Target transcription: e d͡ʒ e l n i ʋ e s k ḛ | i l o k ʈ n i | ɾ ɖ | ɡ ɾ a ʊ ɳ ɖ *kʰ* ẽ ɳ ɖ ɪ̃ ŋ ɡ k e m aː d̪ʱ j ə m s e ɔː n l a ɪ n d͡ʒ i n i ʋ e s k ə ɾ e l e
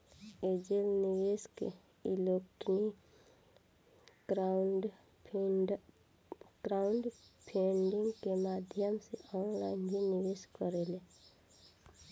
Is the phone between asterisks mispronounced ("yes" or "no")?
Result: yes